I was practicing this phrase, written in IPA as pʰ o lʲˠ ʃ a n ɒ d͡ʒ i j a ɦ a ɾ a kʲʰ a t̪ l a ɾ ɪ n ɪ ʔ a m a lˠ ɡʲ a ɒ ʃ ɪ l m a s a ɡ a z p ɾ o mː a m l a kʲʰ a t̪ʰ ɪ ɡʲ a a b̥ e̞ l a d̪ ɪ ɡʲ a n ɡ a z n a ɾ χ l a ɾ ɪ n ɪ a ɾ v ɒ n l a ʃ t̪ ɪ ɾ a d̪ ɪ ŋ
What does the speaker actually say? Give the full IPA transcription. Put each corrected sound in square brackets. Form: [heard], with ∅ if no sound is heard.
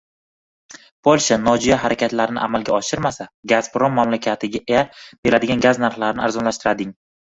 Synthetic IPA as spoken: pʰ o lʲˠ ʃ a n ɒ d͡ʒ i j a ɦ a ɾ a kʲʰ a t̪ l a ɾ ɪ n ɪ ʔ a m a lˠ ɡʲ a ɒ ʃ ɪ [ɾ] m a s a ɡ a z p ɾ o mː a m l a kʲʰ a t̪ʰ ɪ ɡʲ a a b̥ e̞ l a d̪ ɪ ɡʲ a n ɡ a z n a ɾ χ l a ɾ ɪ n ɪ a ɾ [z] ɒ n l a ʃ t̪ ɪ ɾ a d̪ ɪ ŋ